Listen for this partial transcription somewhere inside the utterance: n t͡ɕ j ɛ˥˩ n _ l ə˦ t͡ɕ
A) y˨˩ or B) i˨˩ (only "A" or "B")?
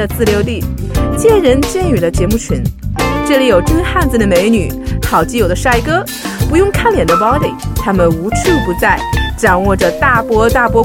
A